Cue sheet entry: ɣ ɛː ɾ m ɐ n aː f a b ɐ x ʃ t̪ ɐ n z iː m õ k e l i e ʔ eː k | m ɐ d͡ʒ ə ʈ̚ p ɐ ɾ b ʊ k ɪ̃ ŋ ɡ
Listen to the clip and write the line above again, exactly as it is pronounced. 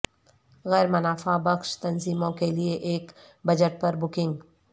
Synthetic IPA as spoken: ɣ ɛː ɾ m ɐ n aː f a b ɐ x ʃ t̪ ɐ n z iː m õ k e l i e ʔ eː k | b ɐ d͡ʒ ə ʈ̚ p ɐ ɾ b ʊ k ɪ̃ ŋ ɡ